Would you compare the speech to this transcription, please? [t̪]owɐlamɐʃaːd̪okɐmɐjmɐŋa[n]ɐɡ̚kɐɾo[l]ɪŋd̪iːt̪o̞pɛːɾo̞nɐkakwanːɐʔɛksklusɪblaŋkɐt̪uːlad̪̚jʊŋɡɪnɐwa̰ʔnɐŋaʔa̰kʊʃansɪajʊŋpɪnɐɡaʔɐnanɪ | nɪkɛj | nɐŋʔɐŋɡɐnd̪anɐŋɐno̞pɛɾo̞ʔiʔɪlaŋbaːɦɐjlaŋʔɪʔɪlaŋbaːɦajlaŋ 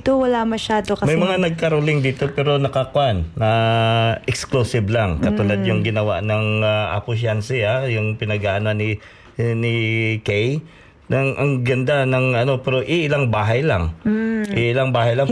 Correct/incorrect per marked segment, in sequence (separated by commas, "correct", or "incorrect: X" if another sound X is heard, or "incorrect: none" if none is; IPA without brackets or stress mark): correct, correct, correct